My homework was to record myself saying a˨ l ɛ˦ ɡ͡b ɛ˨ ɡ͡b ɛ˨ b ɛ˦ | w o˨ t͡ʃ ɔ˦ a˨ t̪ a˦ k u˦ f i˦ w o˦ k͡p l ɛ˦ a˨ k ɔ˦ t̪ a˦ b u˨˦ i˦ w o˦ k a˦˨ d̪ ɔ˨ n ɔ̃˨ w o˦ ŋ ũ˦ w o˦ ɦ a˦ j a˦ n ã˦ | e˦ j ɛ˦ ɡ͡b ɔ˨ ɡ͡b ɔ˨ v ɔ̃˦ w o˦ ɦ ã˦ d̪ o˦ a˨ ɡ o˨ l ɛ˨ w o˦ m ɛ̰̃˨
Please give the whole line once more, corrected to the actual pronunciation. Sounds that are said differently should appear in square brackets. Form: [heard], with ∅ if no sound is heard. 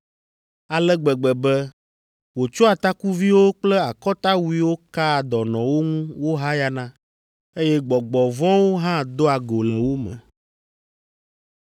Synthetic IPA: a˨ l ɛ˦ ɡ͡b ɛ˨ ɡ͡b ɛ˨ b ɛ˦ | w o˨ t͡ʃ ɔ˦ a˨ t̪ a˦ k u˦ [v] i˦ w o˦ k͡p l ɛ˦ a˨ k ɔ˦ t̪ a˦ [w] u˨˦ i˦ w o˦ k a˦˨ d̪ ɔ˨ n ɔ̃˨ w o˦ ŋ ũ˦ w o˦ ɦ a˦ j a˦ n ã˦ | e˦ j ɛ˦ ɡ͡b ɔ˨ ɡ͡b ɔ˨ v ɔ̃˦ w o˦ ɦ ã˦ d̪ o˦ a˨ ɡ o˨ l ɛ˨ w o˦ m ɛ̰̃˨